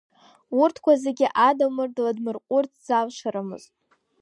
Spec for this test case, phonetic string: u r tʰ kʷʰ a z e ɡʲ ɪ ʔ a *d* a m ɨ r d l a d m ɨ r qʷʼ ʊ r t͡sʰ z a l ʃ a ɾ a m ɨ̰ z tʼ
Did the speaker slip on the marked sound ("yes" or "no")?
no